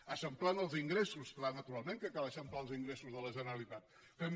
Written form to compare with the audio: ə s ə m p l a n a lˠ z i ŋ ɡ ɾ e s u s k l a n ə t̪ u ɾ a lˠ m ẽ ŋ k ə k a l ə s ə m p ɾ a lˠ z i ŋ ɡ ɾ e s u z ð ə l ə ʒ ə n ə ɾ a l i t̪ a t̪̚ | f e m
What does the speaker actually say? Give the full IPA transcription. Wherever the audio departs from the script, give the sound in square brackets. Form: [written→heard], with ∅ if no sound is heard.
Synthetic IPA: ə s ə m p l a n [a→ə] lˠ z i ŋ ɡ ɾ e s u s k l a n ə t̪ u ɾ a lˠ m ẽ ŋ k ə k a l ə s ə m p [ɾ→l] a lˠ z i ŋ ɡ ɾ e s u z ð ə l ə ʒ ə n ə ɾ [a→ə] l i t̪ a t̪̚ | f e m